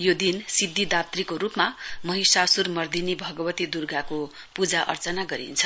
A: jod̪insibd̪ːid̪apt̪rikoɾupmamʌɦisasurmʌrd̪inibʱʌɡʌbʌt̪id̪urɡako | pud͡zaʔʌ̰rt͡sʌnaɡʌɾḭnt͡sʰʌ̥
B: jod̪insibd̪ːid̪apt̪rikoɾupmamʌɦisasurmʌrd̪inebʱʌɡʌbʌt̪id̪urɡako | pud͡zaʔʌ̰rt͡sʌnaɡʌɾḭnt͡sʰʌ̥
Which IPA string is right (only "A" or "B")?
A